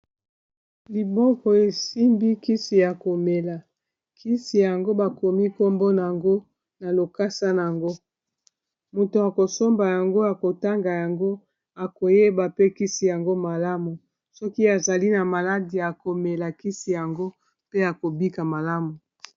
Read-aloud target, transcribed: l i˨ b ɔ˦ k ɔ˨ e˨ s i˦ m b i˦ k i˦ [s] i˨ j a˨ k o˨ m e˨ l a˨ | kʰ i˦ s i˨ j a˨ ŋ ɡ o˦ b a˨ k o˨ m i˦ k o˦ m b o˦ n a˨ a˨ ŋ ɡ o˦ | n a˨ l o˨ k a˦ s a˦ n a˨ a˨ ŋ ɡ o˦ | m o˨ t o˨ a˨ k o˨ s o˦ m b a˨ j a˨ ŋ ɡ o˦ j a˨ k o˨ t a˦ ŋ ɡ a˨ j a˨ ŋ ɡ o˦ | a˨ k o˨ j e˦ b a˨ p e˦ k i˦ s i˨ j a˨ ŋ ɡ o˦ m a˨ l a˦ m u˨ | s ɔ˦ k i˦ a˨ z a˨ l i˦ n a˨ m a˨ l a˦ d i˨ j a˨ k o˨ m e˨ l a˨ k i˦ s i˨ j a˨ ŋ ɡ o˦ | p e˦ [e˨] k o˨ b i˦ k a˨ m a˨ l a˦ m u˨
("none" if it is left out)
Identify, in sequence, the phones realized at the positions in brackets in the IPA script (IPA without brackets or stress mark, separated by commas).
s, a˨